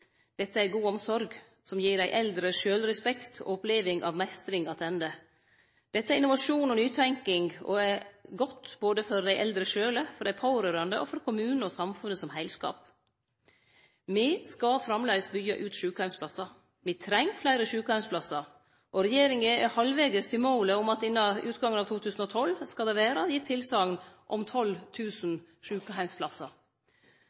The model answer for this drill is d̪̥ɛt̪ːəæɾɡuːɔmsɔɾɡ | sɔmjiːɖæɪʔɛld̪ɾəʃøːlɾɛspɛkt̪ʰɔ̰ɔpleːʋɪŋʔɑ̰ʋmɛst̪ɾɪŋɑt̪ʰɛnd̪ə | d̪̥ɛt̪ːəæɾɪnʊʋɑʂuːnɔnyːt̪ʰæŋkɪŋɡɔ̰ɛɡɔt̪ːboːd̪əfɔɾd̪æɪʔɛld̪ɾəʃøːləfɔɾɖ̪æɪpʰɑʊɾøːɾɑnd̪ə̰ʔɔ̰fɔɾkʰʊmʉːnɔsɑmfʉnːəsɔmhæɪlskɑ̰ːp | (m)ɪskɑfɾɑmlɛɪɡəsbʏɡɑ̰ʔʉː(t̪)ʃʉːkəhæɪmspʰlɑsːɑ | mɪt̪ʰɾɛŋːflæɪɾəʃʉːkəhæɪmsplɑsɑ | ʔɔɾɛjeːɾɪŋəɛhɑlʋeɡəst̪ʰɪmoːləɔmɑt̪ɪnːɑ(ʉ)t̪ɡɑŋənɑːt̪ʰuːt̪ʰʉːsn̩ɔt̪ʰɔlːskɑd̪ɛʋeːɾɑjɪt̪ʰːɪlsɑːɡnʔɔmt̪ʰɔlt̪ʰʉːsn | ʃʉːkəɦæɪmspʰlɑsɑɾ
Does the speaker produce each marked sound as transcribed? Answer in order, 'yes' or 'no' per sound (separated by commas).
yes, yes, no